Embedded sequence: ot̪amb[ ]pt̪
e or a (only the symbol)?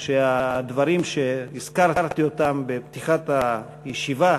e